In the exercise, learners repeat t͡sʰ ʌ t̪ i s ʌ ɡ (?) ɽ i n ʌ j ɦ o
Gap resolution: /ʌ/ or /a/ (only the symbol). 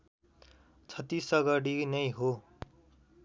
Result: ʌ